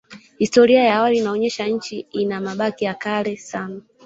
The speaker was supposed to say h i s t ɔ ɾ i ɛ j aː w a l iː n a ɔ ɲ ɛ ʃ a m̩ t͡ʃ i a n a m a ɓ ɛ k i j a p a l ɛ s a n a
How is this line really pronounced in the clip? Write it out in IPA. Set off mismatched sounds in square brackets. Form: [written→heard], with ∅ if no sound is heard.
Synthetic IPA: h i s t ɔ ɾ i [ɛ→a] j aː w a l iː n a ɔ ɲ ɛ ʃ a [m̩→ɲ̩] t͡ʃ i [a→i] n a m a ɓ [ɛ→a] k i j a [p→k] a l ɛ s a n a